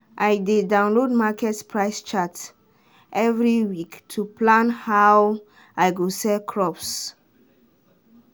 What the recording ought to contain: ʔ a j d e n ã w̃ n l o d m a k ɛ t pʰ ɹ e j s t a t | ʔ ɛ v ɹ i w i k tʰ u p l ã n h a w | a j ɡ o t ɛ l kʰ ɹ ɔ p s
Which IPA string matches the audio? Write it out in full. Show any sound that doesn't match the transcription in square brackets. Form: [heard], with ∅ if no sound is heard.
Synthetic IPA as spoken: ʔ a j d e [d] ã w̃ n l o d m a k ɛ t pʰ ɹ [a] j s [t͡ʃ] a t | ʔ ɛ v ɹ i w i k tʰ u p l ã n h a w | a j ɡ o [s] ɛ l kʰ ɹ ɔ p s

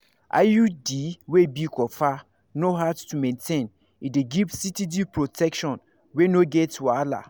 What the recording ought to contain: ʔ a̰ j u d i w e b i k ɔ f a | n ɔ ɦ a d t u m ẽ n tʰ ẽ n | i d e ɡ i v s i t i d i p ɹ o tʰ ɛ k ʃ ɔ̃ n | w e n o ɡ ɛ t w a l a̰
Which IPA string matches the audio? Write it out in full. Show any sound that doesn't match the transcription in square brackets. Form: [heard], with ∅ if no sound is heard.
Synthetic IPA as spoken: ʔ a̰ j u d i w e b i k ɔ f a | n [o] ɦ a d t u m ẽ n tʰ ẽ n | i d e ɡ i v s i t i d i p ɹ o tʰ ɛ k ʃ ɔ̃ n | w e n o ɡ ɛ t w a l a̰

